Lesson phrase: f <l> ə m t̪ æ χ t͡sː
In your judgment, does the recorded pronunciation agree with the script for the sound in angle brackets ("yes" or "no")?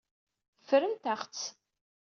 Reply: no